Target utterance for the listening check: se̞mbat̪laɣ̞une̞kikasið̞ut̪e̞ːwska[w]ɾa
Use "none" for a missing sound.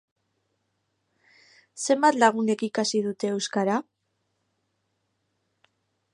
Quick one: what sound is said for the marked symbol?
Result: none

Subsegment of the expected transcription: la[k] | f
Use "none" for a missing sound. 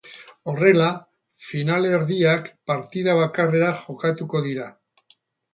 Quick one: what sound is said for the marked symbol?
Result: none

